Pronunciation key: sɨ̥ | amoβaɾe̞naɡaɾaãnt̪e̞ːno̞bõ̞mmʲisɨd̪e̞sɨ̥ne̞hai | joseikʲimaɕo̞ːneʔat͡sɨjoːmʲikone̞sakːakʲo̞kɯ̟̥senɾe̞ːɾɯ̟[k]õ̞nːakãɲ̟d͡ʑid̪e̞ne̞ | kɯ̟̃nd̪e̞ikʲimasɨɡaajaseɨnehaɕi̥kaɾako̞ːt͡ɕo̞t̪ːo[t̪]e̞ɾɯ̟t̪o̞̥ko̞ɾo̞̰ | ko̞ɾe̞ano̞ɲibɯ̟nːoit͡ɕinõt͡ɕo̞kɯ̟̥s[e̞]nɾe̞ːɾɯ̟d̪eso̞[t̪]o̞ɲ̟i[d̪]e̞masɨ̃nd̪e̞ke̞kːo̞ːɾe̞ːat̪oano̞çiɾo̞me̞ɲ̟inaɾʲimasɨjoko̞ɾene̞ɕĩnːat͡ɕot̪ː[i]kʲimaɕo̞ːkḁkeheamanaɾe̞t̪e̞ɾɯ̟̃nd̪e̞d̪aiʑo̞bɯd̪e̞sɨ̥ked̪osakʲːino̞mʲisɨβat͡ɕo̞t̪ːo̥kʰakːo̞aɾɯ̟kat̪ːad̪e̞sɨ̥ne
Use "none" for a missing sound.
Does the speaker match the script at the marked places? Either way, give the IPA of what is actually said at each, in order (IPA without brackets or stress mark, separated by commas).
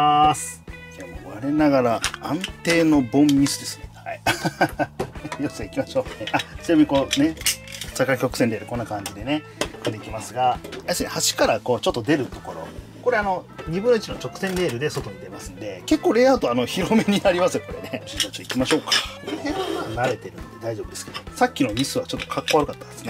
k, d̪, ẽ̞, t̪, d̪, i